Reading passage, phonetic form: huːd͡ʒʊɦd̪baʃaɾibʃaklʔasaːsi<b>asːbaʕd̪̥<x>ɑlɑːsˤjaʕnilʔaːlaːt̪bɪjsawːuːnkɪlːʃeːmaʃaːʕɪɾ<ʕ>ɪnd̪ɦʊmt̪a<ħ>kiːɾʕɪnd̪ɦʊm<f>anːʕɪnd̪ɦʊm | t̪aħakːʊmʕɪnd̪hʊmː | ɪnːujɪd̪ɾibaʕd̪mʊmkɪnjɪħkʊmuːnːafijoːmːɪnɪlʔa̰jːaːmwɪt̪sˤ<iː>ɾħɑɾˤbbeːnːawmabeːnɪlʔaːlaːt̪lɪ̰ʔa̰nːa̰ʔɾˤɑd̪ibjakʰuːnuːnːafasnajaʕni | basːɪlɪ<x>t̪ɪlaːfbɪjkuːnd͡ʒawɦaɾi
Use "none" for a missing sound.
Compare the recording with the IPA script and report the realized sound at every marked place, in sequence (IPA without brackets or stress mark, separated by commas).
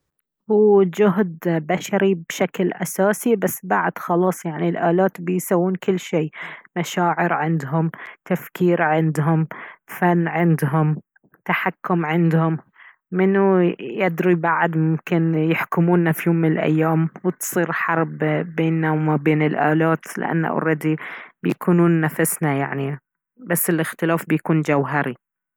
b, x, ʕ, f, f, iː, x